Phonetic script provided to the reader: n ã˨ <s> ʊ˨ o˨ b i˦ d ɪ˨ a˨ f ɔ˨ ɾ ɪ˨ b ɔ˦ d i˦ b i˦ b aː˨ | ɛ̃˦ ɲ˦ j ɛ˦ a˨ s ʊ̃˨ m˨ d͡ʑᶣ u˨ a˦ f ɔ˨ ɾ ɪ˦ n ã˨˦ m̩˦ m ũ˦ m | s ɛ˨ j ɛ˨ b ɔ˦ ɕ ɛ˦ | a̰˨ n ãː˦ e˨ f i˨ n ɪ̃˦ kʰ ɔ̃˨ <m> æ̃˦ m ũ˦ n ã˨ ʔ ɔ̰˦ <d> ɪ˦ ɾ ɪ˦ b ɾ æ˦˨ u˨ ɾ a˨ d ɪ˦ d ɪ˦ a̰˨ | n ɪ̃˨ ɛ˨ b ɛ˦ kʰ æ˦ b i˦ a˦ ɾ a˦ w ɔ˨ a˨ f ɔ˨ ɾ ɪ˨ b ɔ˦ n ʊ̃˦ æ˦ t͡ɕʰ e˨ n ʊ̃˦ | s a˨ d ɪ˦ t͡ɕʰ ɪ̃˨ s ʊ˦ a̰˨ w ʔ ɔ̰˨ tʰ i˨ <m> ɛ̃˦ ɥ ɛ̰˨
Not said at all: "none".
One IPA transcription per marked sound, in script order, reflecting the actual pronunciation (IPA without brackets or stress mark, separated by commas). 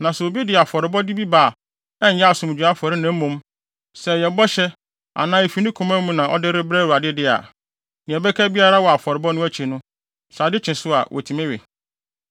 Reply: s, m, d, m